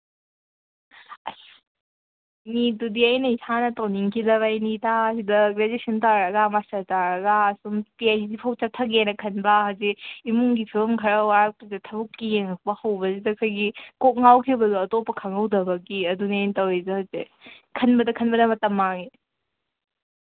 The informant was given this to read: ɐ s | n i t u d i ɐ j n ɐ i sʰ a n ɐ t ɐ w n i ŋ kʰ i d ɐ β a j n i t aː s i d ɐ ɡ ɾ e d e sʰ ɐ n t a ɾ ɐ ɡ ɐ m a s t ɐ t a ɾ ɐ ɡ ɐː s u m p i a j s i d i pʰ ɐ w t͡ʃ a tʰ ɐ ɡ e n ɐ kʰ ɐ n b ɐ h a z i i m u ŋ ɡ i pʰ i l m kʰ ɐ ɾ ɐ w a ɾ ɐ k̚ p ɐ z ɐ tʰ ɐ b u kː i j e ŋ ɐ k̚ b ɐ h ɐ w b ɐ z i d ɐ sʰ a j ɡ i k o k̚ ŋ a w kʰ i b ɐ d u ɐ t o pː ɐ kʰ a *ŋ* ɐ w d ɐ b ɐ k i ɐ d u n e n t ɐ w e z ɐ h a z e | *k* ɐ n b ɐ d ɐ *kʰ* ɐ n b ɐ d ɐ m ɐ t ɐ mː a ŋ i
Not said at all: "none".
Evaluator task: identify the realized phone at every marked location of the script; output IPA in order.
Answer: ŋ, kʰ, kʰ

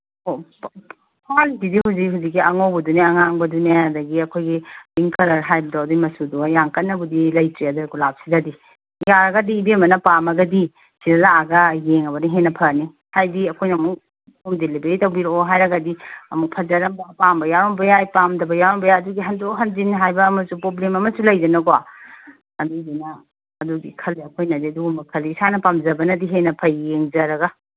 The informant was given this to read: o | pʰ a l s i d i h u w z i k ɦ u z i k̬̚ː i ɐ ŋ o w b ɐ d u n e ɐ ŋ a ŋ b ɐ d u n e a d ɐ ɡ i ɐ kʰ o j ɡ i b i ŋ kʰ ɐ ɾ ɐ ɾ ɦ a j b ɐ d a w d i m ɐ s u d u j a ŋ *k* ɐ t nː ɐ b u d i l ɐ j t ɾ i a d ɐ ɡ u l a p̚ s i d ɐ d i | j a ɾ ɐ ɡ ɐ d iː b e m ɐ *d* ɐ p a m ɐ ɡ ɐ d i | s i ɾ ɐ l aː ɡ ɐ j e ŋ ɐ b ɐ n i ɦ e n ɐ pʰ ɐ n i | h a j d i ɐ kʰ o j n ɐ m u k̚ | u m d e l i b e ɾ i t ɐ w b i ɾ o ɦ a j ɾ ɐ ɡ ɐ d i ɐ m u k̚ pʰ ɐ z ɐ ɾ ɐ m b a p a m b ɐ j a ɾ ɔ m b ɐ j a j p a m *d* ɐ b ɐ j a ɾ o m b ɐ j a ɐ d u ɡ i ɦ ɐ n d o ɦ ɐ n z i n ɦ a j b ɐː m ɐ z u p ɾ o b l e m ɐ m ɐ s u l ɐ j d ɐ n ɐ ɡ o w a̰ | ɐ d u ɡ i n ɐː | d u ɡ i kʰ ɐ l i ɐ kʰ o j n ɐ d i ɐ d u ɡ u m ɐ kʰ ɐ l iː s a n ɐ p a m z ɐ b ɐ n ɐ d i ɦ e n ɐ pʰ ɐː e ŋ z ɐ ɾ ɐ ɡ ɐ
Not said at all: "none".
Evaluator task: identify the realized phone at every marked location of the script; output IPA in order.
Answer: k, n, d

